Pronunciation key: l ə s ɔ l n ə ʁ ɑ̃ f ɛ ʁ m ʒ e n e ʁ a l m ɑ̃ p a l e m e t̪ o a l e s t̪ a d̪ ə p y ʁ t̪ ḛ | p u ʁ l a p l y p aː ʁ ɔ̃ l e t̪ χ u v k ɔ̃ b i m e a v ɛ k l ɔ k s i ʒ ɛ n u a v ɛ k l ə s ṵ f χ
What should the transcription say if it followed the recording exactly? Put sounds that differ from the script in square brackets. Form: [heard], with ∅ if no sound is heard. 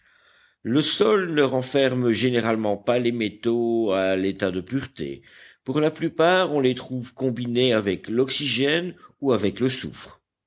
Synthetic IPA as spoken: l ə s ɔ l n ə ʁ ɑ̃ f ɛ ʁ m ʒ e n e ʁ a l m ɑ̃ p a l e m e t̪ o a l e [∅] t̪ a d̪ ə p y ʁ t̪ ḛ | p u ʁ l a p l y p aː ʁ ɔ̃ l e t̪ χ u v k ɔ̃ b i [n] e a v ɛ k l ɔ k s i ʒ ɛ n u a v ɛ k l ə s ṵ f χ